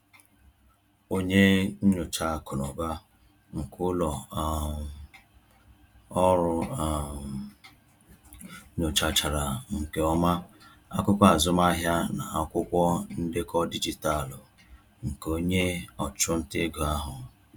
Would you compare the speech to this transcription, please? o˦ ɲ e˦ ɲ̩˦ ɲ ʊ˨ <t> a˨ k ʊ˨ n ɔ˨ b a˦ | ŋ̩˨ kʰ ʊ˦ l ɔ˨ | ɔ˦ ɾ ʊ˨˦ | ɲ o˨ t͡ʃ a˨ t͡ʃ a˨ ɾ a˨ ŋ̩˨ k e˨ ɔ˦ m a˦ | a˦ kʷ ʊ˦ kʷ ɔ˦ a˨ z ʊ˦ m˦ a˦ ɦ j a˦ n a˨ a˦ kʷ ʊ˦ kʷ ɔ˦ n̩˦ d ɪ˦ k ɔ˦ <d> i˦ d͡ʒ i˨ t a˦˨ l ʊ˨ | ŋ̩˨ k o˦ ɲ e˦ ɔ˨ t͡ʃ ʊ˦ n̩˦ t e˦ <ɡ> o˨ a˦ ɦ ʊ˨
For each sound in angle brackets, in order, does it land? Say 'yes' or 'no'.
no, yes, yes

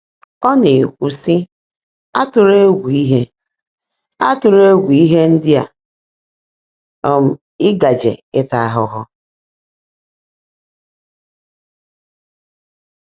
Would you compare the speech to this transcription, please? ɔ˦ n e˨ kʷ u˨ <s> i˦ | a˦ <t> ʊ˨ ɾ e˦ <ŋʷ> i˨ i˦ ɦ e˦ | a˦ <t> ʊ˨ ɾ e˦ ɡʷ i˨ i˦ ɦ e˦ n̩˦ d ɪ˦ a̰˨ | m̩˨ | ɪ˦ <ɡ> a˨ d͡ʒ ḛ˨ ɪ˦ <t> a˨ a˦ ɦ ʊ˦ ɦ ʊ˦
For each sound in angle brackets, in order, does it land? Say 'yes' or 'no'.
yes, yes, no, yes, yes, yes

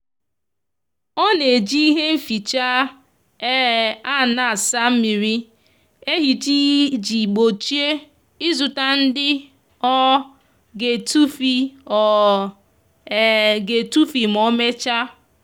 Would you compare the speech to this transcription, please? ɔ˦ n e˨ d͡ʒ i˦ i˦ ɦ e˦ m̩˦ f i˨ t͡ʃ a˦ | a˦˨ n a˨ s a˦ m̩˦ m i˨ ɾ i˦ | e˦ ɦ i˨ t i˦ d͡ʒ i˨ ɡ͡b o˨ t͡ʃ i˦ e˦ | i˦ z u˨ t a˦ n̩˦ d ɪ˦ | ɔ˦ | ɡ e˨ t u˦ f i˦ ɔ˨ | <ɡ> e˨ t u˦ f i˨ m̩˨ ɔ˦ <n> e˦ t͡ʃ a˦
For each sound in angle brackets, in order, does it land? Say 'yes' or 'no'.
yes, no

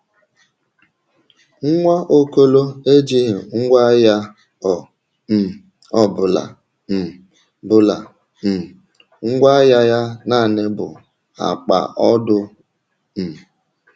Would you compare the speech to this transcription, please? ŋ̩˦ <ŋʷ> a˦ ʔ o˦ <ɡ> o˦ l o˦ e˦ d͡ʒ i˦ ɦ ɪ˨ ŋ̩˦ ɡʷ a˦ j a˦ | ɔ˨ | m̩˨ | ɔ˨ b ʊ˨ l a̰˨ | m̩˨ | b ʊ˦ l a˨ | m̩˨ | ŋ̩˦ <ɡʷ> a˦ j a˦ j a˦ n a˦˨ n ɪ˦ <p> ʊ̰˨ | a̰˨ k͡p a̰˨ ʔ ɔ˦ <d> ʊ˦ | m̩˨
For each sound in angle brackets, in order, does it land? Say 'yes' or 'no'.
yes, no, yes, no, yes

